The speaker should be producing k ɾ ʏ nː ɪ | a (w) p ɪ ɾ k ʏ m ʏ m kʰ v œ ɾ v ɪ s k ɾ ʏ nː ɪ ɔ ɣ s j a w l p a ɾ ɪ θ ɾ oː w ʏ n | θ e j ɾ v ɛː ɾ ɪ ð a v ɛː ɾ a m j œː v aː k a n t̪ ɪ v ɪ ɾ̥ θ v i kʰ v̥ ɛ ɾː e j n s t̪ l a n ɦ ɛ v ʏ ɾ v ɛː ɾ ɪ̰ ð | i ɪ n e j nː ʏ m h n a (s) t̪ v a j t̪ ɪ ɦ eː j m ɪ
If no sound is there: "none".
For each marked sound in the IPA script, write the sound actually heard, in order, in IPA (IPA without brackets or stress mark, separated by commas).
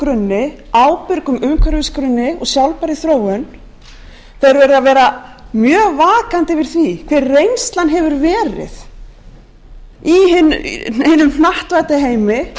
w, h